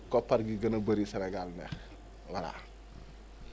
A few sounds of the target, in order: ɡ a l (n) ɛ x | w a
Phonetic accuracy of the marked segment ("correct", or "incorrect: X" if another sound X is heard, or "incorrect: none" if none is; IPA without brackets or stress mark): correct